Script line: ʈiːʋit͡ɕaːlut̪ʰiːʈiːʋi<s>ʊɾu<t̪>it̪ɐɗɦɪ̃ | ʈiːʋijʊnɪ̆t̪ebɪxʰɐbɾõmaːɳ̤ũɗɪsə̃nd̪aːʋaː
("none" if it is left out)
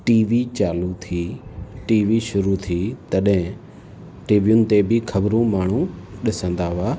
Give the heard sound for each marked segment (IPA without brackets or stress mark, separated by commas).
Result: ʃ, t̪ʰ